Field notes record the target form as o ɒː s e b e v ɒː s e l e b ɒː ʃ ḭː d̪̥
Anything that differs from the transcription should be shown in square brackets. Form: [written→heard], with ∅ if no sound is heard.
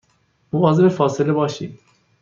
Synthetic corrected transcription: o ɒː [s→z] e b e [v→f] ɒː s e l e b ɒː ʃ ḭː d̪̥